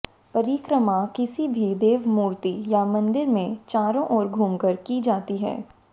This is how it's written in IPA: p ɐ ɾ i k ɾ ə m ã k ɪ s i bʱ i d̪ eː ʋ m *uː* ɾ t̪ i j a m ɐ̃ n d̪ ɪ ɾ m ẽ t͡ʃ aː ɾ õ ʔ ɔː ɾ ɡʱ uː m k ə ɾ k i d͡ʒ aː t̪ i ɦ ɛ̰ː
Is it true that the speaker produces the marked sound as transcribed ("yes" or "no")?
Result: yes